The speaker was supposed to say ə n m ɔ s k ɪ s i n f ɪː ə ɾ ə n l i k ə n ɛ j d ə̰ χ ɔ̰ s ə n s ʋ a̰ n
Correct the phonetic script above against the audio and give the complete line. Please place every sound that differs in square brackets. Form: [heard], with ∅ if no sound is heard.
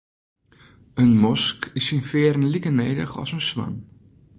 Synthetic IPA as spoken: ə n m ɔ s k ɪ s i n f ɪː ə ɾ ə n l i k ə n [e] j d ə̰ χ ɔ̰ s ə n s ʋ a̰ n